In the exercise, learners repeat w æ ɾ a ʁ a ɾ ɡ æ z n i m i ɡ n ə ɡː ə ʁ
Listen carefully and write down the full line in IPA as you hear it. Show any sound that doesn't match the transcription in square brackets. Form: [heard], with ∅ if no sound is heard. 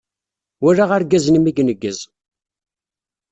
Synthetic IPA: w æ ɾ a ʁ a ɾ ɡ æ z n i m i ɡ n ə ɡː ə [z]